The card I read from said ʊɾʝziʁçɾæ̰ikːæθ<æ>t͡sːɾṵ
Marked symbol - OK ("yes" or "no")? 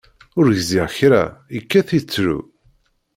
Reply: no